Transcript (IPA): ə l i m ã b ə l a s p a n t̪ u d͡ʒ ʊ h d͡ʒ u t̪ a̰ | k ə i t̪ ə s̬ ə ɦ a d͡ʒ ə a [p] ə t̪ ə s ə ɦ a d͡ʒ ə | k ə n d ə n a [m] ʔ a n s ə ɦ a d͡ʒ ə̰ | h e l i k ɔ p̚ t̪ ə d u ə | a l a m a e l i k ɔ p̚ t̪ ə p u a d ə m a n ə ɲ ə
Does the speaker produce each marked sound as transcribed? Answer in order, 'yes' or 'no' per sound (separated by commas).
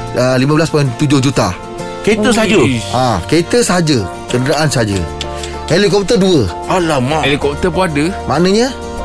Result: no, no